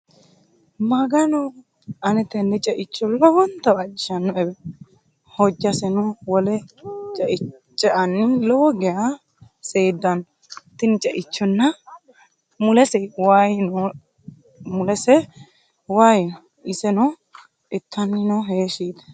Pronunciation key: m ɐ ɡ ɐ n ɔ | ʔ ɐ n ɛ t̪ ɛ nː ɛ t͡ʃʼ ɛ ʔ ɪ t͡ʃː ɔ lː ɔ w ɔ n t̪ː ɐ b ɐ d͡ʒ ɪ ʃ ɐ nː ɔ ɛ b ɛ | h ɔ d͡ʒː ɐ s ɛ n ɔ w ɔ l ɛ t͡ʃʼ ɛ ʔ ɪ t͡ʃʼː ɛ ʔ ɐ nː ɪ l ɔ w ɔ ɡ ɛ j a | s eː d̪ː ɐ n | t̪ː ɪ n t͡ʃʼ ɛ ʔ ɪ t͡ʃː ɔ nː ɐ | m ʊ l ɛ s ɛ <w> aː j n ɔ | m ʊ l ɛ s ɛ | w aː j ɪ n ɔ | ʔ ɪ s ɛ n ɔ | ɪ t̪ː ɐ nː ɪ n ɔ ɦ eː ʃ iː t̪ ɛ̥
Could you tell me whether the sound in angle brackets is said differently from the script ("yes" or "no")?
no